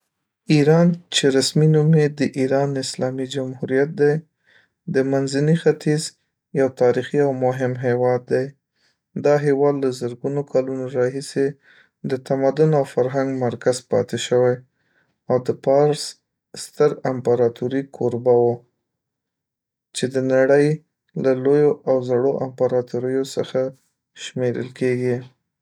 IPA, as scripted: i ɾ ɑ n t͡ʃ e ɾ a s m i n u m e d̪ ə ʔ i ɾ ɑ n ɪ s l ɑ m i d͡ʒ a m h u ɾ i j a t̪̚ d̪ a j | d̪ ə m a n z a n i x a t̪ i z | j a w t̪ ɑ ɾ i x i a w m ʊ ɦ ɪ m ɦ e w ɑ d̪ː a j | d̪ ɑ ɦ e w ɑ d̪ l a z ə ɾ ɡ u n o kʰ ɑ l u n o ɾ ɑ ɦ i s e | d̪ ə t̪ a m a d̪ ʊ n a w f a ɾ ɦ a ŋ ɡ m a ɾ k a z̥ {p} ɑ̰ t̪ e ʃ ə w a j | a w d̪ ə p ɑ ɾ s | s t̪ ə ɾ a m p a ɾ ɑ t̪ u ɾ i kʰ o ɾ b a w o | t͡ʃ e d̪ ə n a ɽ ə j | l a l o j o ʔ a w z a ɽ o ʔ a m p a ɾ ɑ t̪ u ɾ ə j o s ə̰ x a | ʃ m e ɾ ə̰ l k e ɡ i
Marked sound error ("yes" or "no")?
no